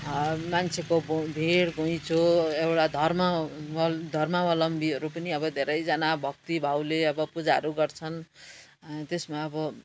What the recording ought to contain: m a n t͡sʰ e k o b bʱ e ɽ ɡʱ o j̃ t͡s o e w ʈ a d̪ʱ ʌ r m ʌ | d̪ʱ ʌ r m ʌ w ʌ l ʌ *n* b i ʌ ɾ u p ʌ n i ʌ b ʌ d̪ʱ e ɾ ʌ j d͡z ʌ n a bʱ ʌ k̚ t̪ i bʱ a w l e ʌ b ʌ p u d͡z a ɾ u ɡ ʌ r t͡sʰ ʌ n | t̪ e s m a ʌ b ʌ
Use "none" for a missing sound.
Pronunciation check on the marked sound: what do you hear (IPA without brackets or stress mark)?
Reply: m